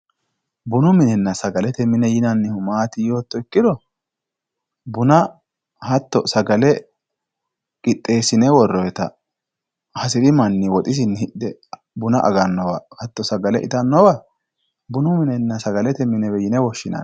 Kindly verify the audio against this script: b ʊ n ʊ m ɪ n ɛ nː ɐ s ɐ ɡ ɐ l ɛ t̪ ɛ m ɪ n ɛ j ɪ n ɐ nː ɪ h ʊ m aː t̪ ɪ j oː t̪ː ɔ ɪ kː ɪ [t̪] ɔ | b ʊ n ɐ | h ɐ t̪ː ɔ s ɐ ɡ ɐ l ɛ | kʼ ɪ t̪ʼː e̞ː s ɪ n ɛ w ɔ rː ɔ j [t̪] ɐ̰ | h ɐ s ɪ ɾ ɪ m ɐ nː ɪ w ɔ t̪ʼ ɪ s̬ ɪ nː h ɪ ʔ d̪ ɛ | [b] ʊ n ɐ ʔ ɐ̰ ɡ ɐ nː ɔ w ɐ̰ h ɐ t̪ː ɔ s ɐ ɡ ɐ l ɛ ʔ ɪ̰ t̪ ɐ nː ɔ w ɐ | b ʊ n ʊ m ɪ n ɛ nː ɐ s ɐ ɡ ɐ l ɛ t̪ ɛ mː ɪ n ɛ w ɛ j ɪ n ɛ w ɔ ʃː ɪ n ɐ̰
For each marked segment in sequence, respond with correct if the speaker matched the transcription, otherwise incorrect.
incorrect: d̪, correct, correct

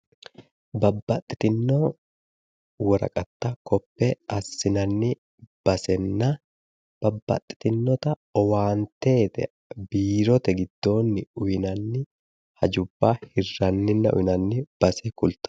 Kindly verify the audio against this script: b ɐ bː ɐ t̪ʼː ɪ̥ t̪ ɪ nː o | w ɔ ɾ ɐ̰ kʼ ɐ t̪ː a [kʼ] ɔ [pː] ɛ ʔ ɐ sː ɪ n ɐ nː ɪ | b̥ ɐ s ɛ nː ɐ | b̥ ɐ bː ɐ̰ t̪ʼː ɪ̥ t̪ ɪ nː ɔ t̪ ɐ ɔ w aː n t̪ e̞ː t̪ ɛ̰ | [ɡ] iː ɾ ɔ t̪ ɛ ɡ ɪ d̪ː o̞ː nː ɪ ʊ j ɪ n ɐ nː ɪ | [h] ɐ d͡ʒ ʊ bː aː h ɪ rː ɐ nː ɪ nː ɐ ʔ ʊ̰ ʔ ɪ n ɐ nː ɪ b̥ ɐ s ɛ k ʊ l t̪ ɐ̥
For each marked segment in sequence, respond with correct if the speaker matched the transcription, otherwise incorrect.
incorrect: k, correct, incorrect: b, correct

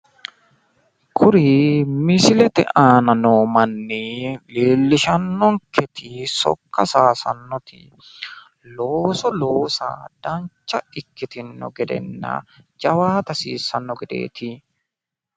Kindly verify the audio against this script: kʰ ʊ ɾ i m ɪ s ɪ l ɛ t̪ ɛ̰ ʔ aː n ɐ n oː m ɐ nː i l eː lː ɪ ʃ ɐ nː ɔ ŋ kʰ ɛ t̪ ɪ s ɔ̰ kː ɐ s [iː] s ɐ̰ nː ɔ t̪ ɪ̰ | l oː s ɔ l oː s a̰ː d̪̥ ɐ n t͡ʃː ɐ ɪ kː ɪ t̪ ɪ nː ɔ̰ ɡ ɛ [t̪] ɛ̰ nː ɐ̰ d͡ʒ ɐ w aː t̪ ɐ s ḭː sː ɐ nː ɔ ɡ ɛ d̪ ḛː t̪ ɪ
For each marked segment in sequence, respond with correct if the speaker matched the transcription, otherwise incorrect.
incorrect: aː, incorrect: d̪

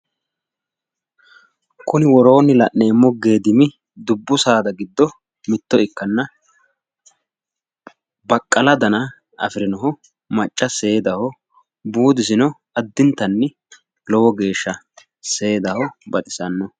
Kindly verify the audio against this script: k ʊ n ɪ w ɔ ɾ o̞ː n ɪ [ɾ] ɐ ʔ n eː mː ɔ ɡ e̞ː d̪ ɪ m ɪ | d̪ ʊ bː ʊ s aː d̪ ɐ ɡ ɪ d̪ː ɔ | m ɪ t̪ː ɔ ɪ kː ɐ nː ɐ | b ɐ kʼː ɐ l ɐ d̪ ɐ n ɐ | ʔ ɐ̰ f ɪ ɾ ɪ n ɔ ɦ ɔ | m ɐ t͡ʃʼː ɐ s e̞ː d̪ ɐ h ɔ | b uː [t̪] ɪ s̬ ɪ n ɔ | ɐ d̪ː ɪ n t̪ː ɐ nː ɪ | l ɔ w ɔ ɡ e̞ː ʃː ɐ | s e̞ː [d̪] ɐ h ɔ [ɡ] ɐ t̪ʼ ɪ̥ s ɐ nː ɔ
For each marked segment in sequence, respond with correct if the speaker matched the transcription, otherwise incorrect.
incorrect: l, incorrect: d̪, correct, incorrect: b

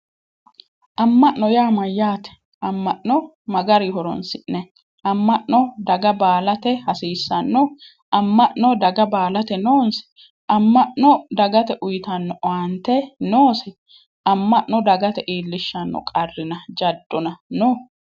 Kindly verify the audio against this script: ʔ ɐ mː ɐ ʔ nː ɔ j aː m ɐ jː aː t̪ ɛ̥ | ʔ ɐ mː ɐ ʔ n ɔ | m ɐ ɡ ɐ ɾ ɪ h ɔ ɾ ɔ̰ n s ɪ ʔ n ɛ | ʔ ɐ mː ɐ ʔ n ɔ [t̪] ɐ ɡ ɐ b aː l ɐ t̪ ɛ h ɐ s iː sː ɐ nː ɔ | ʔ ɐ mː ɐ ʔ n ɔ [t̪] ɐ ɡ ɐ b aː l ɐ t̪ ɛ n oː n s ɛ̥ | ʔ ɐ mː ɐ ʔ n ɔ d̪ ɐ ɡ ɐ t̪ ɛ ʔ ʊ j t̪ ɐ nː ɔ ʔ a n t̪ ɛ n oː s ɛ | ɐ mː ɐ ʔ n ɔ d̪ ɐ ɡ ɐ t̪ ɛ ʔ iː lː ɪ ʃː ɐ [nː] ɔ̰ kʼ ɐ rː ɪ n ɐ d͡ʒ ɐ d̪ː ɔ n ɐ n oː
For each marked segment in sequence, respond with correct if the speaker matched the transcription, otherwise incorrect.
incorrect: d̪, incorrect: d̪, correct

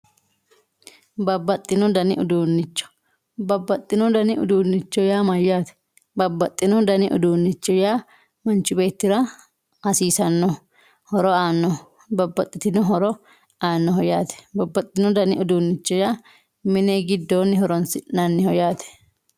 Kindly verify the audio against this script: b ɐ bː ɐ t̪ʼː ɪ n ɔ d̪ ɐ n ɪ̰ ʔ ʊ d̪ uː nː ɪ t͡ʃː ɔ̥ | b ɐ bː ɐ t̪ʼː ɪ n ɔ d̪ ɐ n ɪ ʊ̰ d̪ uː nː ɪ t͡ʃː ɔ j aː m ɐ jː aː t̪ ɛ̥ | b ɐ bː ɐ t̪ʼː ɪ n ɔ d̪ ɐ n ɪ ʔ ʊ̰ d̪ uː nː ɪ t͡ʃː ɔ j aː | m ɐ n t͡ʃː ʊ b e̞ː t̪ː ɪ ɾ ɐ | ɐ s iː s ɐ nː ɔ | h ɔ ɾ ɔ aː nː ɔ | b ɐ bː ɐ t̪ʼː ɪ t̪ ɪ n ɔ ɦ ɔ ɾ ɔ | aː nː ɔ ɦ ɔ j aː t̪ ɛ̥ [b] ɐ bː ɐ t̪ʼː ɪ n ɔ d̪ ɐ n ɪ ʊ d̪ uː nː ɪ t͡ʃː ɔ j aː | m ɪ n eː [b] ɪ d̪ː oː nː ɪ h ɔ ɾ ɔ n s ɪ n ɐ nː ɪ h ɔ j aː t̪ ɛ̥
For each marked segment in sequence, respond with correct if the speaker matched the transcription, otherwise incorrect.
correct, incorrect: ɡ

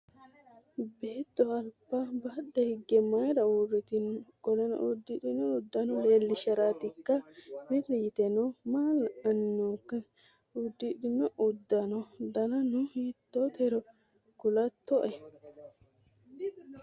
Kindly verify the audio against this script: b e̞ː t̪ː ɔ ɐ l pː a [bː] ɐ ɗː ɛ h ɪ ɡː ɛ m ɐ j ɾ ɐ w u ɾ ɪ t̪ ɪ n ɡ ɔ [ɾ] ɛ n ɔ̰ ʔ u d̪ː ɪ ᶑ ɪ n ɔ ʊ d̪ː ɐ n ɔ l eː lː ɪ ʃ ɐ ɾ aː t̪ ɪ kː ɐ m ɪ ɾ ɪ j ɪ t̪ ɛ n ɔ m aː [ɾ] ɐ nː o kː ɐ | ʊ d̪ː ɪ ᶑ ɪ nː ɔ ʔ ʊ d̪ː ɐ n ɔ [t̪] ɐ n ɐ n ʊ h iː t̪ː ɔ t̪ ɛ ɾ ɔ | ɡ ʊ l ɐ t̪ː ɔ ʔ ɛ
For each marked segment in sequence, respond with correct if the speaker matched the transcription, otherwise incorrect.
incorrect: b, incorrect: l, incorrect: l, incorrect: d̪

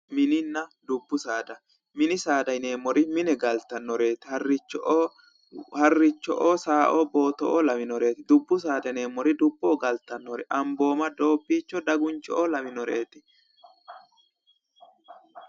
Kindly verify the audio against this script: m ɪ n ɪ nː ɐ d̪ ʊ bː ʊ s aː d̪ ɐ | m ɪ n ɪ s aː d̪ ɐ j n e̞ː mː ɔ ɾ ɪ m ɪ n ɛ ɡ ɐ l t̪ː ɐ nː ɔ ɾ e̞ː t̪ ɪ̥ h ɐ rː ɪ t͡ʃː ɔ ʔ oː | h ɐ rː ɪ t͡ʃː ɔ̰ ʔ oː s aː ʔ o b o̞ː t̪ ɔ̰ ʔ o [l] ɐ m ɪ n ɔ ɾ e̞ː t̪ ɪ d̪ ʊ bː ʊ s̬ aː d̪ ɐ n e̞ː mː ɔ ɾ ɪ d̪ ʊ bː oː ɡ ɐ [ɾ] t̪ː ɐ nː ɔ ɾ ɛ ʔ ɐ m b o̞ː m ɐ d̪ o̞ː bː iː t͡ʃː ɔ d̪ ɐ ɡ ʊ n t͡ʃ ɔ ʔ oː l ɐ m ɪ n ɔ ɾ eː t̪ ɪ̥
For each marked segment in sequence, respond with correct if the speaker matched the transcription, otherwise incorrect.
correct, incorrect: l

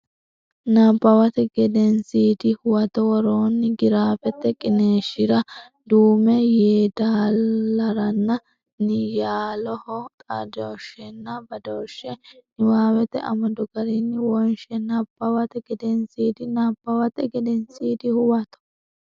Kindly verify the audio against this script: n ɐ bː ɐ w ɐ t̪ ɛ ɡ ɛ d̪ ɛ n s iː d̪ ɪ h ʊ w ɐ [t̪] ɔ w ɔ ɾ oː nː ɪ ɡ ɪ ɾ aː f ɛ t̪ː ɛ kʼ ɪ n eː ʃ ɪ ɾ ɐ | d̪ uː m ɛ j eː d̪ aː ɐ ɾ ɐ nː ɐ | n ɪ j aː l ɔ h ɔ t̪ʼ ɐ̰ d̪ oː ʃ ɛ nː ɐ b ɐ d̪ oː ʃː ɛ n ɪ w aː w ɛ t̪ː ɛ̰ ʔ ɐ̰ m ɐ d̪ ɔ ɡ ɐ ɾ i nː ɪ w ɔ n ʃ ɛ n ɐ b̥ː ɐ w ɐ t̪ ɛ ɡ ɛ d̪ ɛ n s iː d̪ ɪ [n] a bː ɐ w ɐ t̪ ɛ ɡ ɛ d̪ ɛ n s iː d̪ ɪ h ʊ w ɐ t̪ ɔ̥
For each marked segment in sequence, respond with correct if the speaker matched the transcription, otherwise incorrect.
correct, correct

